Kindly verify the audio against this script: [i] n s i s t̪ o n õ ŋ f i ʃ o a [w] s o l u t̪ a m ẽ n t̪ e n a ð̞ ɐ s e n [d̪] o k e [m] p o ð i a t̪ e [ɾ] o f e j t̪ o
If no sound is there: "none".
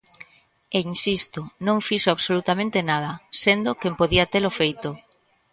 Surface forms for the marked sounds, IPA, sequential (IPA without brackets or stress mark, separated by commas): e, β, d̪, m, l